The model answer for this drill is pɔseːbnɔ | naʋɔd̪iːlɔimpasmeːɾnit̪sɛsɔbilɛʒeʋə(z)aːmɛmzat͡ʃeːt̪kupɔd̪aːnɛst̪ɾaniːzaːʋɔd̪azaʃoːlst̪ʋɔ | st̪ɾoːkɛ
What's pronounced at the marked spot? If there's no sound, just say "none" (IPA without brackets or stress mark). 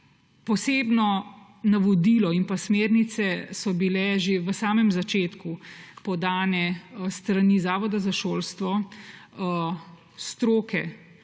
s